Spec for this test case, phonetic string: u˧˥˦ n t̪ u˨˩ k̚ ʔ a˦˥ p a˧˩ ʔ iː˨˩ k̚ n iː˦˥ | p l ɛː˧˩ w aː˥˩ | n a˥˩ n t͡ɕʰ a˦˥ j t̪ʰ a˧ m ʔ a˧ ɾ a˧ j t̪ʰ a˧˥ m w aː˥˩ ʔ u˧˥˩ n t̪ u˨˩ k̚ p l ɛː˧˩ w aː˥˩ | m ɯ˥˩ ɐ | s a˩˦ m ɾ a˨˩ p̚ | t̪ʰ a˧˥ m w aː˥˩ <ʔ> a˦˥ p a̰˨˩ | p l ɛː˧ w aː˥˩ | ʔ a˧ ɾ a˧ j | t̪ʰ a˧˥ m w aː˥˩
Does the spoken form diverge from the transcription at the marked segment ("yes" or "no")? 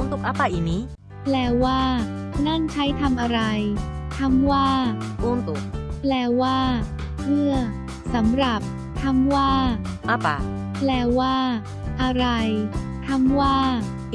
no